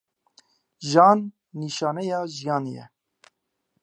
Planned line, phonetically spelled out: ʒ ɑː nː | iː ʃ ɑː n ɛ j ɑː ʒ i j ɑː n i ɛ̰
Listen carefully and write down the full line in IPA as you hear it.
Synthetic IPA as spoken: ʒ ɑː nː | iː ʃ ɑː n ɛ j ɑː ʒ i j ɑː n j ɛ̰